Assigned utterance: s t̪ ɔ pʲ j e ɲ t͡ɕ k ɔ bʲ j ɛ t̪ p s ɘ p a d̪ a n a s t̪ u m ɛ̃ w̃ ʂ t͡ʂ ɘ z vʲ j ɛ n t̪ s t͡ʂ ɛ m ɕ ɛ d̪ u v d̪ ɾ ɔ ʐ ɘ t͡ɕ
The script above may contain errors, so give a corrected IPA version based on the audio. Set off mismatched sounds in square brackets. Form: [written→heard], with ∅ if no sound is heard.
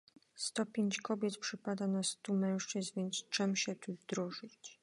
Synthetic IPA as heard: s t̪ ɔ pʲ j e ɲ t͡ɕ k ɔ bʲ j ɛ t̪ p [s→ʂ] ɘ p a d̪ a n a s t̪ u m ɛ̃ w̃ ʂ t͡ʂ ɘ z vʲ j ɛ n t̪ s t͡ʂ ɛ m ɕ ɛ [d̪→t̪] u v d̪ ɾ ɔ ʐ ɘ t͡ɕ